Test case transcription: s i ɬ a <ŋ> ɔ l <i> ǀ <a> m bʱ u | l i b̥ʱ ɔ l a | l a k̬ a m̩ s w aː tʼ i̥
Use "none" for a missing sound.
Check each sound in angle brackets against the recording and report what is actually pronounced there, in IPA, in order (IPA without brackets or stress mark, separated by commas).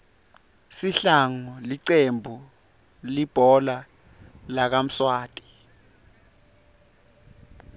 ŋ, i, e